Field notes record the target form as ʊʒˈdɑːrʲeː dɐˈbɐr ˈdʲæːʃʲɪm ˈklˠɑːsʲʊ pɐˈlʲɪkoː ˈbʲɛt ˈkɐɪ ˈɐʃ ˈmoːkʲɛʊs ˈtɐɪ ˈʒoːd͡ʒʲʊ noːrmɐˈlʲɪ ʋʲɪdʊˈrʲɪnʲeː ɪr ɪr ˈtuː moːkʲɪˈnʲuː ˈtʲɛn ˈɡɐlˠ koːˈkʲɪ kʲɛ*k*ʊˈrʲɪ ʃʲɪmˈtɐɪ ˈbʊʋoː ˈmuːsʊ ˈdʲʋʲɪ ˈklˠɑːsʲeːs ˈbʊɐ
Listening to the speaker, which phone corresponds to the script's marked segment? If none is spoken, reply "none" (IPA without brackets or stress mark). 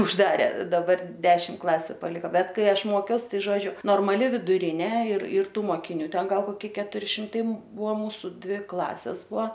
t